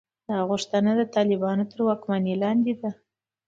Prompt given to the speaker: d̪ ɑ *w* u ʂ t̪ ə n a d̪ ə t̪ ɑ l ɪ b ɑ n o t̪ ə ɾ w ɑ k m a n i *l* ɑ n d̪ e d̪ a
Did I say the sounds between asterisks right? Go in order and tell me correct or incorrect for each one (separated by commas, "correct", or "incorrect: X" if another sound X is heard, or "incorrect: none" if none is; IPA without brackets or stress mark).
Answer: incorrect: ɣ, correct